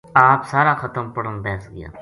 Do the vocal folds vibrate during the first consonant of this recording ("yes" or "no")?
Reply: no